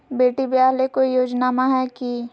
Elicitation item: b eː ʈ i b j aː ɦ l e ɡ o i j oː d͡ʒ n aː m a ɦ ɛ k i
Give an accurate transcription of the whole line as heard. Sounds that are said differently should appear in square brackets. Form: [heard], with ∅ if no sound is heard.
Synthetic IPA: b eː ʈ i b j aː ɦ l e [k] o i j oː d͡ʒ n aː m a ɦ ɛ k i